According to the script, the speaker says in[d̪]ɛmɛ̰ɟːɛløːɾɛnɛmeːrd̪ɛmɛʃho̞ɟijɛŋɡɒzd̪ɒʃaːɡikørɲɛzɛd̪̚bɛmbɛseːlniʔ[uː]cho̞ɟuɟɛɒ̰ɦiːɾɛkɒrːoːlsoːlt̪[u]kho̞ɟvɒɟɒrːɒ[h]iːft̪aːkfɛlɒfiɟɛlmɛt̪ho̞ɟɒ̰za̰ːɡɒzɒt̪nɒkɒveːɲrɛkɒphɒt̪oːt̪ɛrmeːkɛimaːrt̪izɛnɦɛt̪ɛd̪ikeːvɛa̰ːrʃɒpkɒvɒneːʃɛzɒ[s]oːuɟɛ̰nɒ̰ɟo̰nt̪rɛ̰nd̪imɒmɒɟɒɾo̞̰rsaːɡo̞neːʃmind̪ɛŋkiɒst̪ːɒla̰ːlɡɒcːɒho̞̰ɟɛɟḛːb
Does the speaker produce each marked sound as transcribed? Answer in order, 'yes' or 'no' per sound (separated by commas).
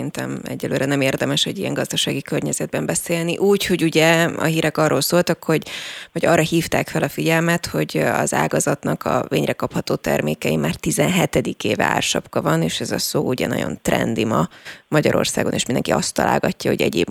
no, yes, no, yes, yes